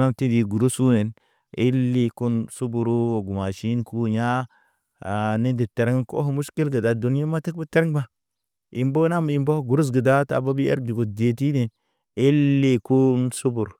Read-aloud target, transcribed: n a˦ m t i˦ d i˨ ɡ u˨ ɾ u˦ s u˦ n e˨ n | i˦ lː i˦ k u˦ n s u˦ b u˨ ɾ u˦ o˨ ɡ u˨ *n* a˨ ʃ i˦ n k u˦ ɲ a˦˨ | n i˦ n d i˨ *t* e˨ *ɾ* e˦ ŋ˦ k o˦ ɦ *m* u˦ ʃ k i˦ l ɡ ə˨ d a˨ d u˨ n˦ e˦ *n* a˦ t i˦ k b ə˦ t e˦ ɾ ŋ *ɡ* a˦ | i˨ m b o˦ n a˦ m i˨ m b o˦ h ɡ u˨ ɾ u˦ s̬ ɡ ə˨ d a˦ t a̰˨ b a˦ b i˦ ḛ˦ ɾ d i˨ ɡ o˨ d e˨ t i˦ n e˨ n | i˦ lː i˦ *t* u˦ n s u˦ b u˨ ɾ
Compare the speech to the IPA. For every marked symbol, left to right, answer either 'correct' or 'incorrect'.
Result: incorrect: m, correct, correct, correct, incorrect: m, incorrect: b, incorrect: k

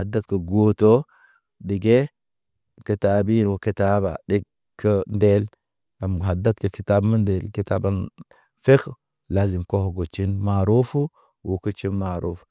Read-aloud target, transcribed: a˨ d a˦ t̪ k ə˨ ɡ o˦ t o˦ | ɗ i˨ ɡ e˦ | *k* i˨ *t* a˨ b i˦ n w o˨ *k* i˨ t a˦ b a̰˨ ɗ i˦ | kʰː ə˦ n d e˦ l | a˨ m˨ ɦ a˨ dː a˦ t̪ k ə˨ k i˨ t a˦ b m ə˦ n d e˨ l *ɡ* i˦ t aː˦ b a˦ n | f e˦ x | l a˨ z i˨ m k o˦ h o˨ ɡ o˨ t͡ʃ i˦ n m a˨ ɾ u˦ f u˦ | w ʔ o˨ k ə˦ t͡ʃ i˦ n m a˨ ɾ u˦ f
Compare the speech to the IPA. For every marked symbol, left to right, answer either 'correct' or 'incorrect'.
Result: correct, correct, correct, incorrect: k

